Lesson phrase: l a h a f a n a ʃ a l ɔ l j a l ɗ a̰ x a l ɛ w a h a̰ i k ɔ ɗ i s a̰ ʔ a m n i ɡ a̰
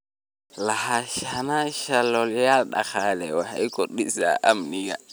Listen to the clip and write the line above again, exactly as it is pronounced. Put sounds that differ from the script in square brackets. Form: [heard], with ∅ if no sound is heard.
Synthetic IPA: l a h a [ʃ] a n a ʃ a l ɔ l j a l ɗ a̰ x a l ɛ w a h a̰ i k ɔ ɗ i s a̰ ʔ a m n i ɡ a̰